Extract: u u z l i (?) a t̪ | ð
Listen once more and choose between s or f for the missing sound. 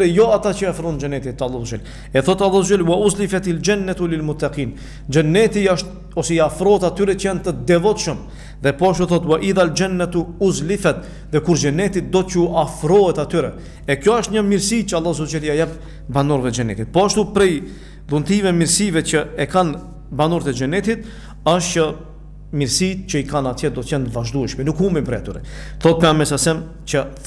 f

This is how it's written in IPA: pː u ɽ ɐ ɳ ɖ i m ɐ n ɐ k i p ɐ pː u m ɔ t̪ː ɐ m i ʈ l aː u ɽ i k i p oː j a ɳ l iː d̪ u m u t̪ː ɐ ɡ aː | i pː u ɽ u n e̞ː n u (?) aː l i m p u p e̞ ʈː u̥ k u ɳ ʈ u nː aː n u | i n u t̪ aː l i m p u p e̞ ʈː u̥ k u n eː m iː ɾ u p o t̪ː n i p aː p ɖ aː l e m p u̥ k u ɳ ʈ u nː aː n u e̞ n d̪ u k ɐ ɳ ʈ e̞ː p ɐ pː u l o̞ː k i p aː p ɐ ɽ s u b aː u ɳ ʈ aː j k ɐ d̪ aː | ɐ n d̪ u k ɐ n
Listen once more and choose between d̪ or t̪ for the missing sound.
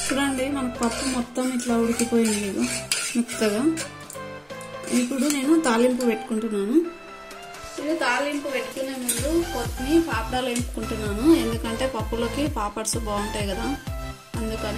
t̪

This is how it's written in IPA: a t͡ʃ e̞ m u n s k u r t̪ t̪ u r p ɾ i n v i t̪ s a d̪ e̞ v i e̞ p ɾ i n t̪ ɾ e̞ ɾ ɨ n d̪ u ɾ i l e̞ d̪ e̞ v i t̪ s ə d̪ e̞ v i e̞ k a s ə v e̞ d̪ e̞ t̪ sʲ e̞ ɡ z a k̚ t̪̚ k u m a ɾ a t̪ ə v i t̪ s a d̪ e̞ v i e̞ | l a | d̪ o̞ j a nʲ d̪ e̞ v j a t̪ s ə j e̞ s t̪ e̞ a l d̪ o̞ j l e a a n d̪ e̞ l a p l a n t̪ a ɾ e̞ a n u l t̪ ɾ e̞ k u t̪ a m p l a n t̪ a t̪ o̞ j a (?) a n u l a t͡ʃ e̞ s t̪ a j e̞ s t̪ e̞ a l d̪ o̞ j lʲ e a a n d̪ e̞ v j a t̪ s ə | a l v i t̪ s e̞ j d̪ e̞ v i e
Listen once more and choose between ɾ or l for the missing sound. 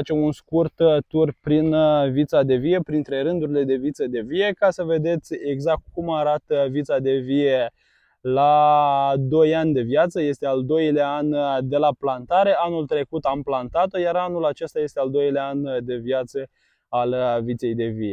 ɾ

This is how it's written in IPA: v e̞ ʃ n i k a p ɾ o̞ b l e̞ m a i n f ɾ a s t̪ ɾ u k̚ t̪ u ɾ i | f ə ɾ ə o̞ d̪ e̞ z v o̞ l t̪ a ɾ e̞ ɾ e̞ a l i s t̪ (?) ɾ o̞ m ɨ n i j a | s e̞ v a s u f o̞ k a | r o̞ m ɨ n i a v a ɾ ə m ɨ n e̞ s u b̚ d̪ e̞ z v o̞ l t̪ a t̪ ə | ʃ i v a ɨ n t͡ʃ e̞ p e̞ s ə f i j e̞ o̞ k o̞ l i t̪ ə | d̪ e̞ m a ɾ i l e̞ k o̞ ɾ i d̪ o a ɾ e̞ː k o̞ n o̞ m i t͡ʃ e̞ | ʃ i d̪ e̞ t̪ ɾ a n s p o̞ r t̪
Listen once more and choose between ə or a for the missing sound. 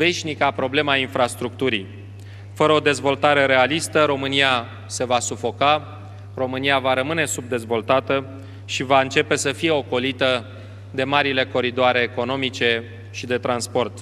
ə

